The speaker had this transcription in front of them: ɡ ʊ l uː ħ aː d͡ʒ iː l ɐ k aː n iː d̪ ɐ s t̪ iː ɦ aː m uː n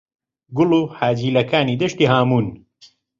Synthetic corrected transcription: ɡ ʊ l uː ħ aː d͡ʒ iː l ɐ k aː n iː d̪ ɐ ʃ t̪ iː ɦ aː m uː n